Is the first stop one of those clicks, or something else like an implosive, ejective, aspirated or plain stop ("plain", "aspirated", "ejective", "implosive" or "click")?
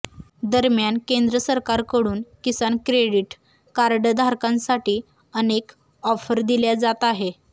plain